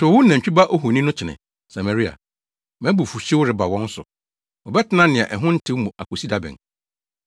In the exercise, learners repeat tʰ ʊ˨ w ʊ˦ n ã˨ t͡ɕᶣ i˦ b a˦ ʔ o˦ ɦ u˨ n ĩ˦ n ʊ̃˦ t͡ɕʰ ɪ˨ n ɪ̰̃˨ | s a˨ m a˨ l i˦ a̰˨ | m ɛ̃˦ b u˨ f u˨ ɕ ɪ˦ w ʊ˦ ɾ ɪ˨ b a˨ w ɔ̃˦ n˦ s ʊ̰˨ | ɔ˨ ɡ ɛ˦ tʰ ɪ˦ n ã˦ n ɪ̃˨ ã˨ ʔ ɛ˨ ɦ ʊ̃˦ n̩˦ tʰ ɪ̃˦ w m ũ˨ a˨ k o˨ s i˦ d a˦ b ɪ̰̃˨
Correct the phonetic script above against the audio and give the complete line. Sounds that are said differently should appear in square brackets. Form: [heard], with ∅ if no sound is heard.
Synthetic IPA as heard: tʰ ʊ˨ w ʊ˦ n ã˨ t͡ɕᶣ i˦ b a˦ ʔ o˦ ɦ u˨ n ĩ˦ n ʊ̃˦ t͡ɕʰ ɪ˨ n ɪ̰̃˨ | s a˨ m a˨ [ɾ] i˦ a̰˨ | m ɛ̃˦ b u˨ f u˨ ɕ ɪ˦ w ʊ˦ ɾ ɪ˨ b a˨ w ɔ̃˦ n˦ s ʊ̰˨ | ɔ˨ [b] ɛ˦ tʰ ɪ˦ n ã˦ n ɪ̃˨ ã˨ ʔ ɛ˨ ɦ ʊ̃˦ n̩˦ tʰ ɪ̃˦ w m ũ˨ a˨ k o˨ s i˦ d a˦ b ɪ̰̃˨